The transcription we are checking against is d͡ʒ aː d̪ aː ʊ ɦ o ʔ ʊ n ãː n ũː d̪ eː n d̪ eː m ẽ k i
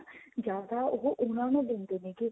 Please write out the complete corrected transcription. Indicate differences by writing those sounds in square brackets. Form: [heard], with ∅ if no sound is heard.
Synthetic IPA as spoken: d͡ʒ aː d̪ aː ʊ ɦ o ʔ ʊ n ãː n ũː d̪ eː n d̪ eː [n] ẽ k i